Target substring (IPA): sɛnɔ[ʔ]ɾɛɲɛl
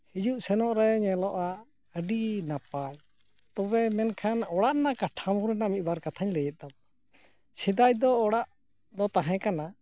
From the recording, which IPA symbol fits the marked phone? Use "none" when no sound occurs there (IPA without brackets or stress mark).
ʔ